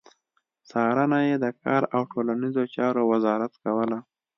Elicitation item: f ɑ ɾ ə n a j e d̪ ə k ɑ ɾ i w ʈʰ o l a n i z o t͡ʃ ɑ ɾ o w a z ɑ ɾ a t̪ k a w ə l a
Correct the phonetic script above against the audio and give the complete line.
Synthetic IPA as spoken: s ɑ ɾ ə n a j e d̪ ə k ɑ ɾ a w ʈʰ o l a n i z o t͡ʃ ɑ ɾ o w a z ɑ ɾ a t̪ k a w ə l a